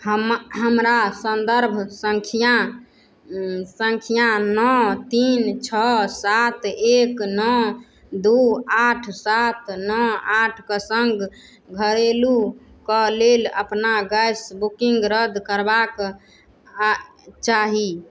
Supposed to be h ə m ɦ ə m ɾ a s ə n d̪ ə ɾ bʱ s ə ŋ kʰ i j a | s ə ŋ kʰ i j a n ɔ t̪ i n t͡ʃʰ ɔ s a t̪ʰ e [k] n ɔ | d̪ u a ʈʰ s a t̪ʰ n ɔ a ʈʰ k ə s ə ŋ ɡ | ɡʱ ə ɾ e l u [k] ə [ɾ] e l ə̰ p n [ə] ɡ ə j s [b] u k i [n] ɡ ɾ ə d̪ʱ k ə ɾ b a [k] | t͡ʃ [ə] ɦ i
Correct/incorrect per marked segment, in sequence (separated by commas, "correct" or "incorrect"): correct, correct, incorrect, incorrect, correct, incorrect, correct, incorrect